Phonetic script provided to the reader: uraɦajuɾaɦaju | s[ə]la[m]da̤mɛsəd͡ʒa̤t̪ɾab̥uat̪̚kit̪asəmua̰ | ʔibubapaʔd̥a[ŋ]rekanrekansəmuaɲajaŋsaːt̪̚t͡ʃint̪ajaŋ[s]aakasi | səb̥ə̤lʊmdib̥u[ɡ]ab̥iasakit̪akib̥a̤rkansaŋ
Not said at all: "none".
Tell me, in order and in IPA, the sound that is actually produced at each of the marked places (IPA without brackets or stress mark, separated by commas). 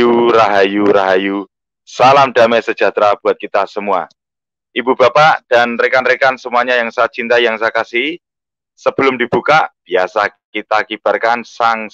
a, m, n, s, k